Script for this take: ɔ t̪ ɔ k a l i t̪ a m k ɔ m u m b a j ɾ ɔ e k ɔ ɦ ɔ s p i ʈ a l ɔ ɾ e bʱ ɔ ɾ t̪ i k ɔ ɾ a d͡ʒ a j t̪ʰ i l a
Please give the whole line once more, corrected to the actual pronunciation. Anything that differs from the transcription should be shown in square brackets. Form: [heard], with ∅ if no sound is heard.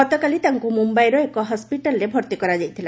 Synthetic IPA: ɔ t̪ ɔ k a l i t̪ a [ŋ] k [u] m u m b a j ɾ ɔ e k ɔ ɦ ɔ s p i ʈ a l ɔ ɾ e bʱ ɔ ɾ t̪ i k ɔ ɾ a d͡ʒ a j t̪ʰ i l a